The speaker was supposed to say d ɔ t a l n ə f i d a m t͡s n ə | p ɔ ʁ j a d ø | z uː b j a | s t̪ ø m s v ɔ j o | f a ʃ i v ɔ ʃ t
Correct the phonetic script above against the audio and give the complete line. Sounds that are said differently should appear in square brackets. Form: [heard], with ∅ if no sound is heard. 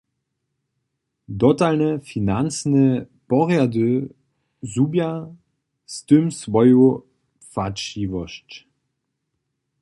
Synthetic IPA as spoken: d ɔ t a l n ə f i [n] a [n] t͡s n ə | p ɔ ʁ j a d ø | z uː b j a | s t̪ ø m s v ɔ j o | f a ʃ i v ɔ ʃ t